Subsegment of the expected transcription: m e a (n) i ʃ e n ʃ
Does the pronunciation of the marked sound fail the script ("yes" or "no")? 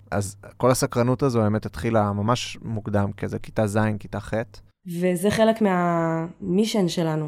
yes